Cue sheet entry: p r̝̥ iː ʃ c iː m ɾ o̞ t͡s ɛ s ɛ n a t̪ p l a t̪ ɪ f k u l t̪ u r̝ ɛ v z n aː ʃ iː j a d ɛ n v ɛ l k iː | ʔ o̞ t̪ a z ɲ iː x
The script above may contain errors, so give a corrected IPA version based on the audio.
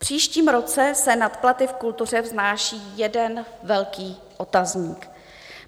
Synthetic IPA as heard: p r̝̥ iː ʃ c iː m ɾ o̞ t͡s ɛ s ɛ n a t̪ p l a t̪ ɪ f k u l t̪ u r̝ ɛ v z n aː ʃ iː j ɛ d ɛ n v ɛ l k iː | ʔ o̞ t̪ a z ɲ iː k

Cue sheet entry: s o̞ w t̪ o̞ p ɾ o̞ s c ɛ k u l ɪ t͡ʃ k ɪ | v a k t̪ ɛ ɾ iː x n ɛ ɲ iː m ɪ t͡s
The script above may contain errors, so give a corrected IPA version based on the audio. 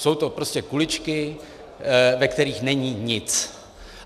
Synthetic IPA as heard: s o̞ w t̪ o̞ p ɾ o̞ s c ɛ k u l ɪ t͡ʃ k ɪ | v ɛ k t̪ ɛ ɾ iː x n ɛ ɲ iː ɲ ɪ t͡s

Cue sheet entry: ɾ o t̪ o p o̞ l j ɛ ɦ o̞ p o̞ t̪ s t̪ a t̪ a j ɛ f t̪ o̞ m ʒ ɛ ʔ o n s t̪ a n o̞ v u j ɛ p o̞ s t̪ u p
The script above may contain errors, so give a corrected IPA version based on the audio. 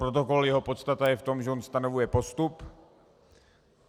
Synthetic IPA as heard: ɾ o t̪ o k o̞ l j ɛ ɦ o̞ p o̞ t̪ s t̪ a t̪ a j ɛ f t̪ o̞ m ʒ ɛ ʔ o n s t̪ a n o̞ v u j ɛ p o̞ s t̪ u p

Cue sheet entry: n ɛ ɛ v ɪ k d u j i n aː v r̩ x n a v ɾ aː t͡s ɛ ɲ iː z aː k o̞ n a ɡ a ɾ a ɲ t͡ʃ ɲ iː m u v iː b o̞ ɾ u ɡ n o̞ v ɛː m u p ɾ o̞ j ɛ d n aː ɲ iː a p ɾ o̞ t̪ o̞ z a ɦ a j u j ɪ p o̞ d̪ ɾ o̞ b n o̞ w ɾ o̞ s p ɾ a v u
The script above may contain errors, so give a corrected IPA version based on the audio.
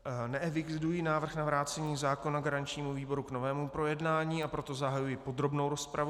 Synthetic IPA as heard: n ɛ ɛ v ɪ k d u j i n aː v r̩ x n a v ɾ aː t͡s ɛ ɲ iː z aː k o̞ n a ɡ a ɾ a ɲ t͡ʃ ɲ iː m u v iː b o̞ ɾ u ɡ n o̞ v ɛː m u p ɾ o̞ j ɛ d n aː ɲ iː a p ɾ o̞ t̪ o̞ z a ɦ a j u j ɪ p o̞ d̪ ɾ o̞ b n o̞ w ɾ o̞ s p ɾ a v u

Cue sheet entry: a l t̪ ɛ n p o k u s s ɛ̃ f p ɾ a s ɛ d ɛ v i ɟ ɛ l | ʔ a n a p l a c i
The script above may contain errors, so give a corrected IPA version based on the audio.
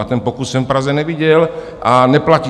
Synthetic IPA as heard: a t̪ ɛ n p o k u s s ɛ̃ f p ɾ a z ɛ n ɛ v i ɟ ɛ l | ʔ a n ɛ p l a c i

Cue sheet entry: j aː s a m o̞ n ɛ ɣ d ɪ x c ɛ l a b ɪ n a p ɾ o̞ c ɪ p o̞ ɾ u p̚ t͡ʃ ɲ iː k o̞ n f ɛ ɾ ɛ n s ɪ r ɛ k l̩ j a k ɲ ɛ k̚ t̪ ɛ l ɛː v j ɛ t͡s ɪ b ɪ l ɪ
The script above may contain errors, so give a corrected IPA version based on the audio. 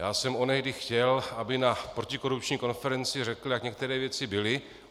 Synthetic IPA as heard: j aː s ɛ m o̞ n ɛ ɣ d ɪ x c ɛ l a b ɪ n a p ɾ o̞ c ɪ k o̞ ɾ u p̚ t͡ʃ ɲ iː k o̞ n f ɛ ɾ ɛ n t͡s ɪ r ɛ k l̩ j a k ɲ ɛ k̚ t̪ ɛ ɾ ɛː v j ɛ t͡s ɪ b ɪ l ɪ

